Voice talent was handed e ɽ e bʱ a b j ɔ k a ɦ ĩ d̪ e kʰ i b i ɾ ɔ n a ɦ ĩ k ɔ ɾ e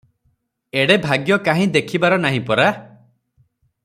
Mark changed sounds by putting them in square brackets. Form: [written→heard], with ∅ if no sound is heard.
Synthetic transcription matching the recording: e ɽ e bʱ a [b→ɡ] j ɔ k a ɦ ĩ d̪ e kʰ i b [i→a] ɾ ɔ n a ɦ ĩ [k→p] ɔ ɾ [e→a]